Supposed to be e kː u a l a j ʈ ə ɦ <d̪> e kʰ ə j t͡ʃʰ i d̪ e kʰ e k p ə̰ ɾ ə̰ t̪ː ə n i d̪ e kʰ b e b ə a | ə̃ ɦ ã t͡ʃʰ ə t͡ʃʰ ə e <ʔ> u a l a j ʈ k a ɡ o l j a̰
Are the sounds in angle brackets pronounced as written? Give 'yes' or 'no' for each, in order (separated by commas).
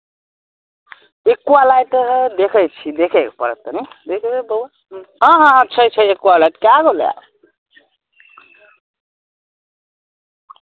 yes, no